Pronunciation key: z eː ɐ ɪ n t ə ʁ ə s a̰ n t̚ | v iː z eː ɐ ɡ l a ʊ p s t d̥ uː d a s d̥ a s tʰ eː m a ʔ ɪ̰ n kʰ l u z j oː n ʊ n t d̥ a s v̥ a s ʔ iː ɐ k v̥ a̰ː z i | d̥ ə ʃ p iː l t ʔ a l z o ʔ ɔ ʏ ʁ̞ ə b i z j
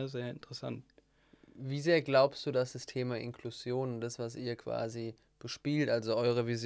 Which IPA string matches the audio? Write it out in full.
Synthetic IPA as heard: z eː ɐ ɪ n t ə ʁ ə s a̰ n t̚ | v iː z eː ɐ ɡ l a ʊ p s t d̥ uː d a s d̥ a s tʰ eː m a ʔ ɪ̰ n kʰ l u z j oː n ʊ n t d̥ a s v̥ a s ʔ iː ɐ k v̥ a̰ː z i | b̥ ə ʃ p iː l t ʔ a l z o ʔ ɔ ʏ ʁ̞ ə v i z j